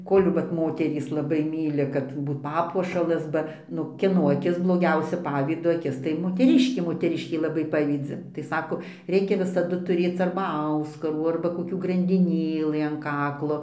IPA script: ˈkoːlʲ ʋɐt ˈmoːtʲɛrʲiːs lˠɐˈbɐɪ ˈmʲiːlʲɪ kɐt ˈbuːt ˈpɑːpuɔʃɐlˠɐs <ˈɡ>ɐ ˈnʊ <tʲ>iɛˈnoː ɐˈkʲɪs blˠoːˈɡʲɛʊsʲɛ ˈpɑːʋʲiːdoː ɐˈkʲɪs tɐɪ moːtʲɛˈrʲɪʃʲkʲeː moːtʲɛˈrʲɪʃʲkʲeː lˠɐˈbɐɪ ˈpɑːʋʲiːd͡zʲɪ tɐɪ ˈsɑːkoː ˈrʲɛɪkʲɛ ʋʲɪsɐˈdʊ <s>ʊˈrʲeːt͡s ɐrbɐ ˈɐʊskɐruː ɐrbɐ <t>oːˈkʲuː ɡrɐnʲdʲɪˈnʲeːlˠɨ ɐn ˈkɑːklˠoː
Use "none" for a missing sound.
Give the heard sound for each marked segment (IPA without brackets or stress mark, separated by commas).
b, kʲ, t, k